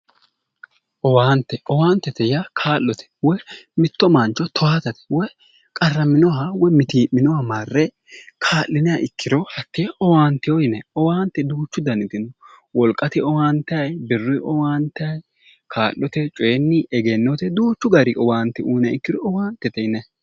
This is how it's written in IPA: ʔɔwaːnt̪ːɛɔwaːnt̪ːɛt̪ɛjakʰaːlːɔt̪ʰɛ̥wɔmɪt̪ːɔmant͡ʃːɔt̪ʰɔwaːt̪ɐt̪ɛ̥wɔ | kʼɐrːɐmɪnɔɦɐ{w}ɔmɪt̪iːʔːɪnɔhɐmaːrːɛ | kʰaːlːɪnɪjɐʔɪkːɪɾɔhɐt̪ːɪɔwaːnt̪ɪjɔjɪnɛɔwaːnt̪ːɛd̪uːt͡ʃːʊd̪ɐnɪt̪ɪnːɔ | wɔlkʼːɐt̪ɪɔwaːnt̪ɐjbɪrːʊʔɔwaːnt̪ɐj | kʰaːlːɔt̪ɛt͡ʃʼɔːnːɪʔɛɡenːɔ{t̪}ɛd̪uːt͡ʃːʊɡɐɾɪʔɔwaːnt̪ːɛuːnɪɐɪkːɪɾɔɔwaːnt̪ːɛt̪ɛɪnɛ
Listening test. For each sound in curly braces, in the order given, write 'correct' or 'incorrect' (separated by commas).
correct, correct